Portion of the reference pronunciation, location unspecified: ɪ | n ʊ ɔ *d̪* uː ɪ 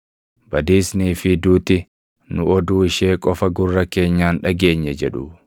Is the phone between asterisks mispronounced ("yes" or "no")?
no